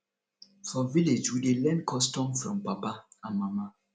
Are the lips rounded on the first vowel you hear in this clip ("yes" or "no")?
yes